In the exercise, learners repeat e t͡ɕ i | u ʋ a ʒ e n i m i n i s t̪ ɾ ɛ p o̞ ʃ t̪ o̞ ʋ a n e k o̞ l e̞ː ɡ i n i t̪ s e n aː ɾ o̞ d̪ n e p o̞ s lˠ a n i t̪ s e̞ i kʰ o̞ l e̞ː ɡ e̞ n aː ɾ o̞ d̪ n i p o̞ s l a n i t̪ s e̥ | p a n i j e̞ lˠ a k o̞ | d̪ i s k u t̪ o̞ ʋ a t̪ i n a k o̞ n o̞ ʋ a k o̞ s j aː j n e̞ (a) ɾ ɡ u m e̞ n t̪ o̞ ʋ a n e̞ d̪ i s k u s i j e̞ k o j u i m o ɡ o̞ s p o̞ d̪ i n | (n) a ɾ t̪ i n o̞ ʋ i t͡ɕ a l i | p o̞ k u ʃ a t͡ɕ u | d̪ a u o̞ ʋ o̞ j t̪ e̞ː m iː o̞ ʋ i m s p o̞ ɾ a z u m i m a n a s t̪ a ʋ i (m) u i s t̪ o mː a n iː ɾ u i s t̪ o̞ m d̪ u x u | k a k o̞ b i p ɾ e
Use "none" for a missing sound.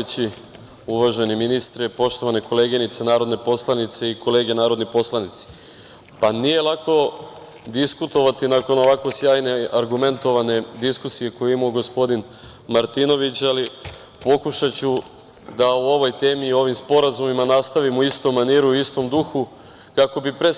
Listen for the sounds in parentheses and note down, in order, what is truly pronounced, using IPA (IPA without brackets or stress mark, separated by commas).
a, m, m